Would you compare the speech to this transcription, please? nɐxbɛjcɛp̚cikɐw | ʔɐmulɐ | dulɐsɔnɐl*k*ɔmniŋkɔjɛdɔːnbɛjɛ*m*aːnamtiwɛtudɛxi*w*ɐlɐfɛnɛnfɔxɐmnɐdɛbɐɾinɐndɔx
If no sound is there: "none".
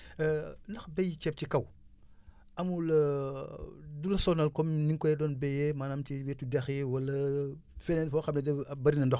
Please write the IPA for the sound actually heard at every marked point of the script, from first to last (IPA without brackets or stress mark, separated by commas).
k, m, w